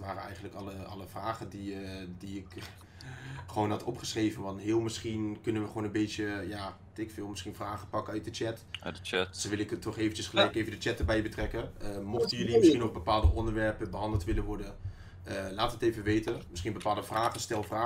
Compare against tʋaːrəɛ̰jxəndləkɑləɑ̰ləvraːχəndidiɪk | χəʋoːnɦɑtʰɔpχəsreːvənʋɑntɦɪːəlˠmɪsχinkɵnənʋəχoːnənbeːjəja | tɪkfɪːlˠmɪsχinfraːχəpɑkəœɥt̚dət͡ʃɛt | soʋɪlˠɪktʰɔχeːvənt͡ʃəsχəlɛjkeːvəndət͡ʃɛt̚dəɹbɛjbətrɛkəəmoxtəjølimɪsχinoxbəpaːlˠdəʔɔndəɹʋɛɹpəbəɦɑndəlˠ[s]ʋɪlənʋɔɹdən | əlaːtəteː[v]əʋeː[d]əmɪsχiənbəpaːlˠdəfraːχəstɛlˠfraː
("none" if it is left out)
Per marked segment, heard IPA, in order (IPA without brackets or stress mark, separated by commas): t, v, t